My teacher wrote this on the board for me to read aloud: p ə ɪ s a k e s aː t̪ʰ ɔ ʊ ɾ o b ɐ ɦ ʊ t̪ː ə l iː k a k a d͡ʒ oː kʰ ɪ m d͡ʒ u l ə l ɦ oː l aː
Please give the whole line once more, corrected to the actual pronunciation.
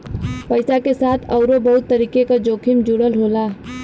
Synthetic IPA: p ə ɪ s a k e s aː t̪ʰ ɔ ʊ ɾ o b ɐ ɦ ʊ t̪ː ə ɾ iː k e k a d͡ʒ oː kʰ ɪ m d͡ʒ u ɽ ə l ɦ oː l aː